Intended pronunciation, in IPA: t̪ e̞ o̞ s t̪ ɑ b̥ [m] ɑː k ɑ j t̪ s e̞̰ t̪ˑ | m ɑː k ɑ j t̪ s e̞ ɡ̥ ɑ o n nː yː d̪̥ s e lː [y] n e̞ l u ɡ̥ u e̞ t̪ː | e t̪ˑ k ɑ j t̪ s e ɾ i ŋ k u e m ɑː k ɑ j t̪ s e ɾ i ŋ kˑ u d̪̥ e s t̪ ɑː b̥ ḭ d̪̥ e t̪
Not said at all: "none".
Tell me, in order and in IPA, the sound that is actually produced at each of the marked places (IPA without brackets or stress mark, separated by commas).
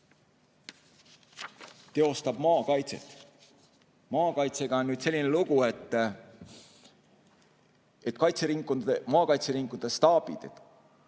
m, i